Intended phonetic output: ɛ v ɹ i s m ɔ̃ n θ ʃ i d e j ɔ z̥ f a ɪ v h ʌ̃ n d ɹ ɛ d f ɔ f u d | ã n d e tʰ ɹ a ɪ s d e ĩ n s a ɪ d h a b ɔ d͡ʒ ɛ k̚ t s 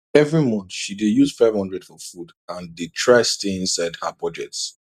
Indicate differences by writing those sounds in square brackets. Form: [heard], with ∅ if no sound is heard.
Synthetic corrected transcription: ɛ v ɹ i [∅] m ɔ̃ n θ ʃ i d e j [u] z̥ f a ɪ v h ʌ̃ n d ɹ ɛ d f ɔ f u d | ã n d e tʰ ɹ a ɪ s [t] e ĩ n s a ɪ d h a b ɔ d͡ʒ ɛ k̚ t s